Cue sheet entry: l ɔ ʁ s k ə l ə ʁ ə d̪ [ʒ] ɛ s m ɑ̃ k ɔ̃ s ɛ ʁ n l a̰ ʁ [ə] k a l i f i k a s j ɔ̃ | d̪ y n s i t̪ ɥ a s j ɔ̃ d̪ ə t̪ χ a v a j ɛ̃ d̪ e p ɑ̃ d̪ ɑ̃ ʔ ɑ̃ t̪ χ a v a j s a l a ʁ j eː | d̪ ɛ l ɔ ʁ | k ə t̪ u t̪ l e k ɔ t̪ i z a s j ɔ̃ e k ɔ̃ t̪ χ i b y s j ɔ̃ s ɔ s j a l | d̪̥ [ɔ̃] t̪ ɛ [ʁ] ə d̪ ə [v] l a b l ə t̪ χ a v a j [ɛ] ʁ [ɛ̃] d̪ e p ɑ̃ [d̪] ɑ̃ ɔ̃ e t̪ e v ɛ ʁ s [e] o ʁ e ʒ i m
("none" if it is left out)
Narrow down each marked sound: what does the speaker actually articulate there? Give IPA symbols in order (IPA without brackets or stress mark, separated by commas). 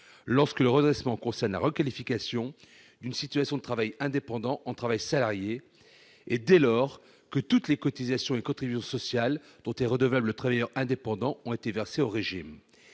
ʁ, ə, ɔ̃, ʁ, v, œ, ɛ̃, d̪, e